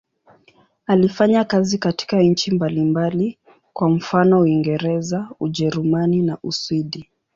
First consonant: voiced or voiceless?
voiced